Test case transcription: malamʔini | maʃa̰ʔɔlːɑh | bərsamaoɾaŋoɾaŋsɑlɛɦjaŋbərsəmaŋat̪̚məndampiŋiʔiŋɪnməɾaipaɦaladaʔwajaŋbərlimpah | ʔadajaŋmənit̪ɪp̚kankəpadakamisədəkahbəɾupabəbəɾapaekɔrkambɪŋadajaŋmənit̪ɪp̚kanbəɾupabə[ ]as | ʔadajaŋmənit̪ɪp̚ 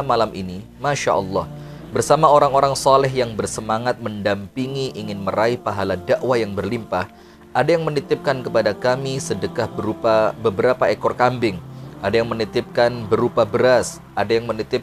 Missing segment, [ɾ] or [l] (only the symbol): ɾ